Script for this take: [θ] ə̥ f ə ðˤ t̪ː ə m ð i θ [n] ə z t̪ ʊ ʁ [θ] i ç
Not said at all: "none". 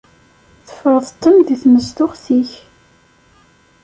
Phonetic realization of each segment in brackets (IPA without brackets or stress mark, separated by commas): θ, m, θ